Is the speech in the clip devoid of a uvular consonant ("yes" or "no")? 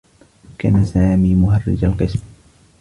no